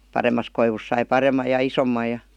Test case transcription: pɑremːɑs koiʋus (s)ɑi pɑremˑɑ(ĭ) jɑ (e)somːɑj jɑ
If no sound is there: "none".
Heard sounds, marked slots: s, j̆, i

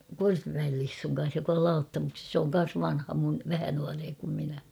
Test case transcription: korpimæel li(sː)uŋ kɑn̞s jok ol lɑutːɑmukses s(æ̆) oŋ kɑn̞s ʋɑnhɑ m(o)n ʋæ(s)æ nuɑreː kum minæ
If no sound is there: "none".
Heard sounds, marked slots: sː, ĕ, u, h

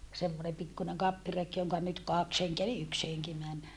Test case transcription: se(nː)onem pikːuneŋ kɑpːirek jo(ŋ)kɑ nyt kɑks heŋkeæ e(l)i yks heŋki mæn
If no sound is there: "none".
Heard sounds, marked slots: mː, ŋ, l

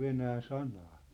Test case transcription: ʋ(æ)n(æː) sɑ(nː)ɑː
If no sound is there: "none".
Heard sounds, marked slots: e, æː, n

